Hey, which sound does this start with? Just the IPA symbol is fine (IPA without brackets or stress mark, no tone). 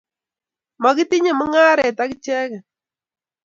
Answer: m